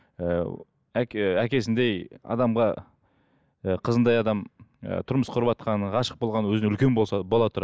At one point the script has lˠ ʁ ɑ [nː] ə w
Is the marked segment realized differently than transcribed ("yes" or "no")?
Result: yes